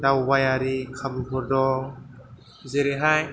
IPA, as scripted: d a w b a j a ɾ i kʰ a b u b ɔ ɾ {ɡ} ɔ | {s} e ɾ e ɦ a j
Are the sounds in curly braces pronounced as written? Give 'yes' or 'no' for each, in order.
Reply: no, no

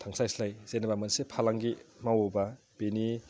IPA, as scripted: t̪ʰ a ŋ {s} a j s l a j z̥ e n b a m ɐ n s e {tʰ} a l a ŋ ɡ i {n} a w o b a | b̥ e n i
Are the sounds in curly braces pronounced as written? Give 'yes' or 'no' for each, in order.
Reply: yes, no, no

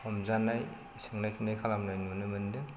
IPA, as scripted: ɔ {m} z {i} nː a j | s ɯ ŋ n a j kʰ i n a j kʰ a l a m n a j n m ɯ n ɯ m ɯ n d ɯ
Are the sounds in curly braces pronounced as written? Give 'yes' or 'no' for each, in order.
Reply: yes, no

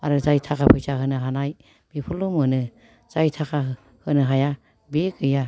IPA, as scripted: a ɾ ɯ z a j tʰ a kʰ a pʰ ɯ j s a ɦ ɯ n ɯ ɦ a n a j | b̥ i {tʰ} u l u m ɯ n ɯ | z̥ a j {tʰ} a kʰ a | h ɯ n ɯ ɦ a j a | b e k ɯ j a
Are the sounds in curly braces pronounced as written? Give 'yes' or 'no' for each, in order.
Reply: no, yes

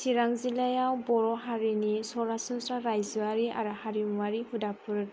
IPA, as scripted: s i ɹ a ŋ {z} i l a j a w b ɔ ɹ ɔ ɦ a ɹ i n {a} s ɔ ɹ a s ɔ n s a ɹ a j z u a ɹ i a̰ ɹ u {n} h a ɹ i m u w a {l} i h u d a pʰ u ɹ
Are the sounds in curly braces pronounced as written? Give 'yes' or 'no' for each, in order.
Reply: yes, no, no, no

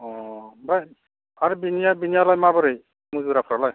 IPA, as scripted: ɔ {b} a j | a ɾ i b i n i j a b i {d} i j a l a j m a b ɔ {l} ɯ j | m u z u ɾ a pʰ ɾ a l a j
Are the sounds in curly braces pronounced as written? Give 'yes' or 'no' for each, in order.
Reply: yes, no, no

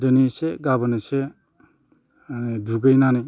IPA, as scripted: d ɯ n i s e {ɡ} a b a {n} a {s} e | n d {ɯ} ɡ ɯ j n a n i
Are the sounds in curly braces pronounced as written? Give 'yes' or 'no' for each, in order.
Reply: yes, yes, yes, no

